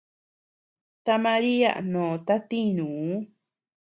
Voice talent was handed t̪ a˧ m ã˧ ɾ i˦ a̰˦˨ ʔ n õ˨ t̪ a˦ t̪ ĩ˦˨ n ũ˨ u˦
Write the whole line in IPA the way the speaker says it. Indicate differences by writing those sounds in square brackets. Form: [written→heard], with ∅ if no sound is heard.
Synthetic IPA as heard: t̪ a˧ m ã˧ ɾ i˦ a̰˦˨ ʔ n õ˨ t̪ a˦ t̪ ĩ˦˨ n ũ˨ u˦